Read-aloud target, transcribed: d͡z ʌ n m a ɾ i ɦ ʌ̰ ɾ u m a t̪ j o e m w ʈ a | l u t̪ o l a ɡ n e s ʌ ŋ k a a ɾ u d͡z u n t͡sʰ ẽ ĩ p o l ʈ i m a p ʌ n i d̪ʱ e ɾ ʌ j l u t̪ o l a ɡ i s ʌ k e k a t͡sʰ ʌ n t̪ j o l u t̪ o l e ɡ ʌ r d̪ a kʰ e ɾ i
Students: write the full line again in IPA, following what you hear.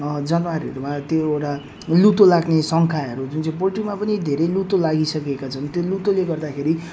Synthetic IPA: d͡z ʌ n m a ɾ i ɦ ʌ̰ ɾ u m a t̪ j o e w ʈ a | l u t̪ o l a ɡ n e s ʌ ŋ kʰ a ʌ ɾ u d͡z u n t͡s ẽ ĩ p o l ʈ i m a p ʌ n i d̪ʱ e ɾ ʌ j l u t̪ o l a ɡ i s ʌ k e k a t͡sʰ ʌ n t̪ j o l u t̪ o l e ɡ ʌ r d̪ a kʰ e ɾ i

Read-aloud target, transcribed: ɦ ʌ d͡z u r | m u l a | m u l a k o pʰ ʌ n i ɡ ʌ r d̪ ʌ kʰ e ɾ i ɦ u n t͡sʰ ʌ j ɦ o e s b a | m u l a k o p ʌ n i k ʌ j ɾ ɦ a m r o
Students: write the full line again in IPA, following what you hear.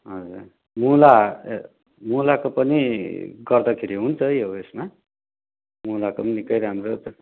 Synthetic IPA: ɦ ʌ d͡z u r | m u l a | m u l a k o p ʌ n i ɡ ʌ r d̪ ʌ kʰ e ɾ i ɦ u n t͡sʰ ʌ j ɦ o e s m a | m u l a k o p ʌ n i k ʌ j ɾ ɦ a m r o

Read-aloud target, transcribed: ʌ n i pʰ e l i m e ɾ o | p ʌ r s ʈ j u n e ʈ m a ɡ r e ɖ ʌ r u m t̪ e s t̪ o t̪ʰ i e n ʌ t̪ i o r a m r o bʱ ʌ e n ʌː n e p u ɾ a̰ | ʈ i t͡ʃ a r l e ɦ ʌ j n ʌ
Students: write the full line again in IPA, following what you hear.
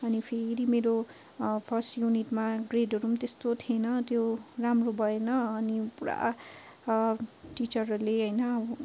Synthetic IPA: ʌ n i pʰ e ɾ i m e ɾ o | pʰ ʌ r s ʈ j u n i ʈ m a ɡ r e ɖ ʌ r u m t̪ e s t̪ o t̪ʰ i e n ʌ t̪ j o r a m r o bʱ ʌ e n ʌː n i p u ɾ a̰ | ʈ i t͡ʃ ʌ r l e ɦ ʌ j n ʌ

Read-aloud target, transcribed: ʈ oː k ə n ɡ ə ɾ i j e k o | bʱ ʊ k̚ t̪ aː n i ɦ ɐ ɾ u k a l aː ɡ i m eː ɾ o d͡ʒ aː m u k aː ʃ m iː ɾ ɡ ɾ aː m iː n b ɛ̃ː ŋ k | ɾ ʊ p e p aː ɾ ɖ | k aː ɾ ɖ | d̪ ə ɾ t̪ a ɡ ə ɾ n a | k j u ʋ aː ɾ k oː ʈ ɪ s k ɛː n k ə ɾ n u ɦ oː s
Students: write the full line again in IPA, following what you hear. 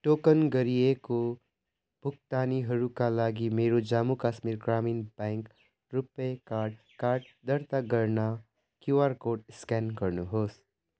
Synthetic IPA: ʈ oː k ə n ɡ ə ɾ i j e k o | bʱ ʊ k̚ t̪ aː n i ɦ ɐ ɾ u k a l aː ɡ i m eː ɾ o d͡ʒ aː m u k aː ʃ m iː ɾ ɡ ɾ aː m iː n b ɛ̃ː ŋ k | ɾ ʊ p e k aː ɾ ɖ | k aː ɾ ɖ | d̪ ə ɾ t̪ a ɡ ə ɾ n a | k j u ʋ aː ɾ k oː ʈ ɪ s k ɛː n k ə ɾ n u ɦ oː s

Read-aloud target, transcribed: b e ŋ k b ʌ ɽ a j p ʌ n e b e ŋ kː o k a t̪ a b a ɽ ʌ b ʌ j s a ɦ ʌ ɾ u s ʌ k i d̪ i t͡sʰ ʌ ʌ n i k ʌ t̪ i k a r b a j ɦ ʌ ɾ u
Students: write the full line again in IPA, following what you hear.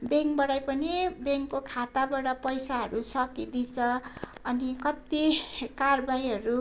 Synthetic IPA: b e ŋ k b ʌ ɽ a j p ʌ n i b e ŋ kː o kʰ a t̪ a b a ɽ ʌ p ʌ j s a ɦ ʌ ɾ u s ʌ k i d̪ i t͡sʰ ʌ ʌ n i k ʌ t̪ i k a r b a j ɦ ʌ ɾ u

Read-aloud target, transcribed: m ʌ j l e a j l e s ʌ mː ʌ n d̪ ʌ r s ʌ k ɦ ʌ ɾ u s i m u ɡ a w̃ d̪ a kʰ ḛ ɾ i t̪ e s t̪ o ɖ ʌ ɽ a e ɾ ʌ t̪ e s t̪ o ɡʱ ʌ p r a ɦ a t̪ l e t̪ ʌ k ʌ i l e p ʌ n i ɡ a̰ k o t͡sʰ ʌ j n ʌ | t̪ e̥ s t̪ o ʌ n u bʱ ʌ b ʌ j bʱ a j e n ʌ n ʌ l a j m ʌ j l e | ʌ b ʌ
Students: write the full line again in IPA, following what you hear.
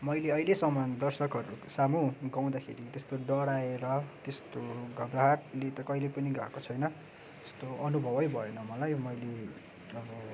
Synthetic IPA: m ʌ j l e ʌ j l e s ʌ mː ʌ n d̪ ʌ r s ʌ k ɦ ʌ ɾ u s a m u ɡ a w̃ d̪ a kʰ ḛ ɾ i t̪ e s t̪ o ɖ ʌ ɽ a e ɾ ʌ t̪ e s t̪ o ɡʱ ʌ b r a ɦ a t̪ l e t̪ ʌ k ʌ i l e p ʌ n i ɡ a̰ k o t͡sʰ ʌ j n ʌ | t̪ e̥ s t̪ o ʌ n u bʱ ʌ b ʌ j bʱ ʌ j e n ʌ m ʌ l a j m ʌ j l e | ʌ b ʌ

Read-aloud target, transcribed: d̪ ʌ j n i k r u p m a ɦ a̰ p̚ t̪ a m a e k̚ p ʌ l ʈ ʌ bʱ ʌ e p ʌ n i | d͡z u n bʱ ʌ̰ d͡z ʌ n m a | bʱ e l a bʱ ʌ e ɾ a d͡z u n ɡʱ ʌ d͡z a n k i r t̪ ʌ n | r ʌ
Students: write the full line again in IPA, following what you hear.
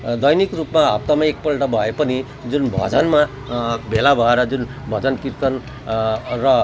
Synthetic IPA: d̪ ʌ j n i k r u p m a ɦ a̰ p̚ t̪ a m a e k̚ p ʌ l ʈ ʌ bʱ ʌ e p ʌ n i | d͡z u n bʱ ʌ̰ d͡z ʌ n m a | bʱ e l a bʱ ʌ e ɾ ʌ d͡z u n bʱ ʌ d͡z ʌ n k i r t̪ ʌ n | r ʌ

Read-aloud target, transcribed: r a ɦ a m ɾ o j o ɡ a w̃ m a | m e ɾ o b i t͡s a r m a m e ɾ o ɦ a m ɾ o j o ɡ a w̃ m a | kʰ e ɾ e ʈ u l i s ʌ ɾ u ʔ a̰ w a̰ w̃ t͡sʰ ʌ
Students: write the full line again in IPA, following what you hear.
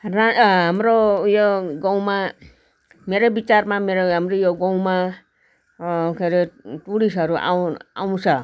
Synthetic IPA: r a ɦ a m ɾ o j o ɡ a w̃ m a | m e ɾ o b i t͡s a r m a m e ɾ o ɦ a m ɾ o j o ɡ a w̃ m a | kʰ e ɾ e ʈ u ɽ i s ʌ ɾ u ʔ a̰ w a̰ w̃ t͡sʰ ʌ

